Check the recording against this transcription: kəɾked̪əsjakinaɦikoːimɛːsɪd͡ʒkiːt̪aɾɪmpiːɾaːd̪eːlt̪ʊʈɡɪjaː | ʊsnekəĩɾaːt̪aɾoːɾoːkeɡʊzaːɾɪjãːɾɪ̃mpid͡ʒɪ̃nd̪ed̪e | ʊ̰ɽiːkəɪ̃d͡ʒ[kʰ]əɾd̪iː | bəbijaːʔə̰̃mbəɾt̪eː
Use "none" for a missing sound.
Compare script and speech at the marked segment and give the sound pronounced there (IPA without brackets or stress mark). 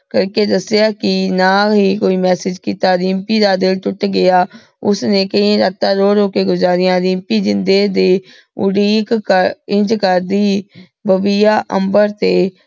k